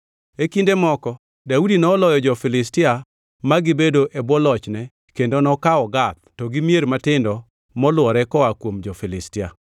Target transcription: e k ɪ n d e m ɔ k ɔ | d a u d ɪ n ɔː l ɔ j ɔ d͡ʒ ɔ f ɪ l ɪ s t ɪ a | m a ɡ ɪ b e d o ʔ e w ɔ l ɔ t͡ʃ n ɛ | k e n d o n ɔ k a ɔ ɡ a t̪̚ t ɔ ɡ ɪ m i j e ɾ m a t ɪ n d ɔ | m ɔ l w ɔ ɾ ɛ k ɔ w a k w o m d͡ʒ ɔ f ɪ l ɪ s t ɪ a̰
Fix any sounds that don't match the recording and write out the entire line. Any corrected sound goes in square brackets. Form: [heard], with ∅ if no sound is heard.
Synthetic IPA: e k [i] n d e m ɔ k ɔ | d a u d [i] n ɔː l ɔ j ɔ d͡ʒ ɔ f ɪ l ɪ s t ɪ a | m a ɡ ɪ b e d o ʔ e [b] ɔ l ɔ t͡ʃ n ɛ | k e n d o n ɔ k a ɔ ɡ a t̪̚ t ɔ ɡ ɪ m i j e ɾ m a t ɪ n d ɔ | m ɔ l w ɔ ɾ ɛ k ɔ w a k w o m d͡ʒ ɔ f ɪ l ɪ s t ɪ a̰